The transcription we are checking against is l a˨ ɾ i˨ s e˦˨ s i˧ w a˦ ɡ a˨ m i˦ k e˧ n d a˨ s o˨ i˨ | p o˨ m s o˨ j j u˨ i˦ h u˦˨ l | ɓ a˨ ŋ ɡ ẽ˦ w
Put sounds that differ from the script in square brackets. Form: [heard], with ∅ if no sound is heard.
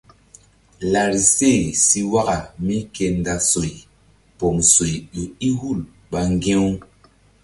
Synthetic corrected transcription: l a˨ ɾ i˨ s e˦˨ s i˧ w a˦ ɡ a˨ m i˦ k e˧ n d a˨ s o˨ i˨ | p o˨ m s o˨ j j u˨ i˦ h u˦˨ l | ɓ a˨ ŋ ɡ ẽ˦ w